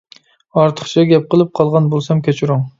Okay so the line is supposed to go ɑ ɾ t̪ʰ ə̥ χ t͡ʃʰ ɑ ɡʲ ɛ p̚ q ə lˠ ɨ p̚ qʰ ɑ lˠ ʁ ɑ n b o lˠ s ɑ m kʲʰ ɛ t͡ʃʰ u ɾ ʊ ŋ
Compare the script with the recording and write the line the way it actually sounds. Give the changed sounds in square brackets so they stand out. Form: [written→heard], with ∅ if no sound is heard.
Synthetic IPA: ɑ ɾ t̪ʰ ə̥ χ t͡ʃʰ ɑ ɡʲ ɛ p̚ q ə lˠ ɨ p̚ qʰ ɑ lˠ ʁ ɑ n b o lˠ s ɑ m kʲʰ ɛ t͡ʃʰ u ɾ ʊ ŋ